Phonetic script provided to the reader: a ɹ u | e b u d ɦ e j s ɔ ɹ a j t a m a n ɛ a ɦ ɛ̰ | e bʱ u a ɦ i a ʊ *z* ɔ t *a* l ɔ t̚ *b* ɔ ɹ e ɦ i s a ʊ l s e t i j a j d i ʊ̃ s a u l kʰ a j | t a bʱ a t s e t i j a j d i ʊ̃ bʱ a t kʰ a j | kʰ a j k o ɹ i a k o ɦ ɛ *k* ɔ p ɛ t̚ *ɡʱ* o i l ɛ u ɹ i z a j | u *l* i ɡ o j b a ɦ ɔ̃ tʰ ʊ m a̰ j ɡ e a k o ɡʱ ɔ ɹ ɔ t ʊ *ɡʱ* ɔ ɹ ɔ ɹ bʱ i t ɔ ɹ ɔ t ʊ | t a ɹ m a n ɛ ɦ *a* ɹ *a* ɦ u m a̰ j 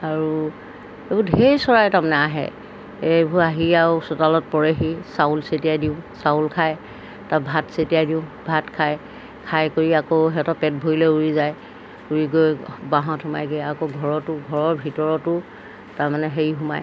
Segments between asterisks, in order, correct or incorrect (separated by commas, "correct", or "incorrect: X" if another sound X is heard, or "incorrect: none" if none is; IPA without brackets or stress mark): incorrect: s, correct, incorrect: p, incorrect: t, incorrect: bʱ, incorrect: ɹ, correct, incorrect: e, incorrect: i